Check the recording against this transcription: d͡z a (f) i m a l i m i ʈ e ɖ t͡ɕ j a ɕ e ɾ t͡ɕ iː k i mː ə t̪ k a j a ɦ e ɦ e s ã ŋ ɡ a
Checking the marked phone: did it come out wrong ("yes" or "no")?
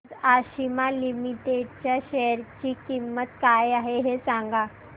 yes